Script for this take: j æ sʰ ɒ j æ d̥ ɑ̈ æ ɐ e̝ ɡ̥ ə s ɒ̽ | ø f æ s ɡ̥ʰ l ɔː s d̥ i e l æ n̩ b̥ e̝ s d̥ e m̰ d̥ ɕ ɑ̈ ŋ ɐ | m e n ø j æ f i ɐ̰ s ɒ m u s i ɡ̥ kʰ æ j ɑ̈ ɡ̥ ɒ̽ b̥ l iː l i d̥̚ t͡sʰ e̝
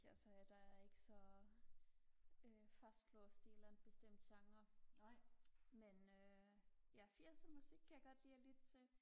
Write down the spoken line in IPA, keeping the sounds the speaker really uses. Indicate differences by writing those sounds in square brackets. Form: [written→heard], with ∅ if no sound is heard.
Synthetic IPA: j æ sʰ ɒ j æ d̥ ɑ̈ æ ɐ e̝ ɡ̥ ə s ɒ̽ | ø f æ s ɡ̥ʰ l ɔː s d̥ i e l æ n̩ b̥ e̝ s d̥ e m̰ d̥ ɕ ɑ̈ ŋ ɐ | m e n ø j æ f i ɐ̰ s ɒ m u s i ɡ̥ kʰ æ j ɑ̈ ɡ̥ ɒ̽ [b̥→d̥] l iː l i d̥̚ t͡sʰ e̝